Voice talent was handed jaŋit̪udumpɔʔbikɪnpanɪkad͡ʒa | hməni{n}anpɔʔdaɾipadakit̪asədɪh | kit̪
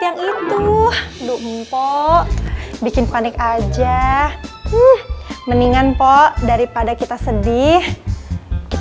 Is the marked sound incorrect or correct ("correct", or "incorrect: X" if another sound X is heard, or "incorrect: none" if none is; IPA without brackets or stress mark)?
incorrect: ŋ